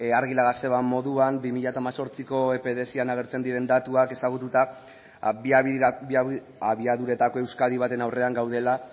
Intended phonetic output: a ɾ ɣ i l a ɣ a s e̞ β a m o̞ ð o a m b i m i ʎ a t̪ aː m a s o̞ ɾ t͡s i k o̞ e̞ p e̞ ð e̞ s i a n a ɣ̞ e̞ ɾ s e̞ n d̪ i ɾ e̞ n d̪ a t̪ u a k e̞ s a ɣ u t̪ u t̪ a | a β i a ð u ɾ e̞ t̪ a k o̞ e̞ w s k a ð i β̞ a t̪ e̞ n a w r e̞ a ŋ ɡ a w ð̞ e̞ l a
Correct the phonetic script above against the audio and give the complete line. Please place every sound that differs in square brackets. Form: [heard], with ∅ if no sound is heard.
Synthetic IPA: a ɾ ɣ i l a ɣ a s e̞ β a m o̞ ð [u] a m b i m i ʎ a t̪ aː m a s o̞ ɾ t͡s i k o̞ e̞ p e̞ ð e̞ s i a n a ɣ̞ e̞ ɾ [t͡s] e̞ n d̪ i ɾ e̞ n d̪ a t̪ u a k e̞ s a ɣ u t̪ u t̪ a | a β i a ð u ɾ e̞ t̪ a k o̞ e̞ w s k a ð i β̞ a t̪ e̞ n a w r e̞ a ŋ ɡ a w ð̞ e̞ l a